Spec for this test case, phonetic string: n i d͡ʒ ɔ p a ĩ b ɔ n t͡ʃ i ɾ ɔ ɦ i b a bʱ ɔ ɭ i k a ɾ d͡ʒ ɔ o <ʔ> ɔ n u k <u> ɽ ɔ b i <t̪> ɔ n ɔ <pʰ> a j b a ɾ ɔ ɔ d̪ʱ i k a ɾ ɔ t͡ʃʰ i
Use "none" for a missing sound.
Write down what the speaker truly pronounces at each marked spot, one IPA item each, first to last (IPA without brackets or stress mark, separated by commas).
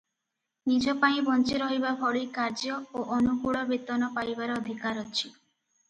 ʔ, u, t̪, p